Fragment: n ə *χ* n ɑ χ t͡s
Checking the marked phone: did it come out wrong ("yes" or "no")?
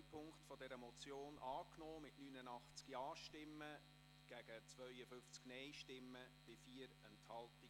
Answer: yes